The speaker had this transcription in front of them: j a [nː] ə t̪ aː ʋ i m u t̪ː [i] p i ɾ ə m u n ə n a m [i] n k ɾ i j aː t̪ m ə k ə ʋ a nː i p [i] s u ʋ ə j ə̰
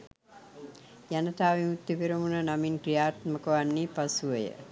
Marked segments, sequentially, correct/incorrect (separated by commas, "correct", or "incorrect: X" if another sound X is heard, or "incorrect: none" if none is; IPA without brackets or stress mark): incorrect: n, correct, correct, incorrect: a